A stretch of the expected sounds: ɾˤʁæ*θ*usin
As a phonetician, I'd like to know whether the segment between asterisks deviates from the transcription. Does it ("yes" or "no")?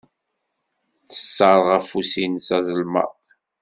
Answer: yes